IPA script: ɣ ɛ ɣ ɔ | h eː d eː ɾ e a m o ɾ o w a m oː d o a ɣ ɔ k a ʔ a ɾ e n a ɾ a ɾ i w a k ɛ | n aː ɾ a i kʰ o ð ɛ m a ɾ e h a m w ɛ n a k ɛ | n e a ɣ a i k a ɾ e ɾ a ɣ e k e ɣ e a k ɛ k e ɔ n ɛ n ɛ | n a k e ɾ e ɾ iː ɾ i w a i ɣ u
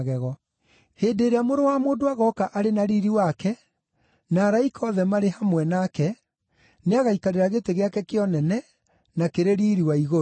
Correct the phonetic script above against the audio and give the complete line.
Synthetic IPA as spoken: ɣ ɛ ɣ ɔ | h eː d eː ɾ e a m o ɾ o w a m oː d o a ɣ ɔ k a ʔ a ɾ e n a ɾ i ɾ i w a k ɛ | n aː ɾ a i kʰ ɔ ð ɛ m a ɾ e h a m w ɛ n a k ɛ | n e a ɣ a i k a ɾ e ɾ a ɣ e t e ɣ e a k ɛ k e ɔ n ɛ n ɛ | n a k e ɾ e ɾ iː ɾ i w a i ɣ o